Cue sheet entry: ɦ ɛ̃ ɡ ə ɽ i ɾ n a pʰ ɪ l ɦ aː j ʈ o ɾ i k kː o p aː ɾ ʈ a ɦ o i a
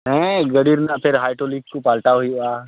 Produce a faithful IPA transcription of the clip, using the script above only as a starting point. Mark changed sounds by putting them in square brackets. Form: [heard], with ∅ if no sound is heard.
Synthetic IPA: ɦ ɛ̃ ɡ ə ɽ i ɾ n a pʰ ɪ [ɾ] ɦ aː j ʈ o [l] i k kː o p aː [l] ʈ a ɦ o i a